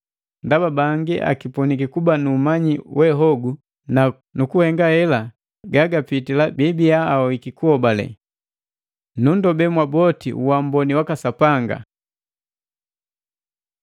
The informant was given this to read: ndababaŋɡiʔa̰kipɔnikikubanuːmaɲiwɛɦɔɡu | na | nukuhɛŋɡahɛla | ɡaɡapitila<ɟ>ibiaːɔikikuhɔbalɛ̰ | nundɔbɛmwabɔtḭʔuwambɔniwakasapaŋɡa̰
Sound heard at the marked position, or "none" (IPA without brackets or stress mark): b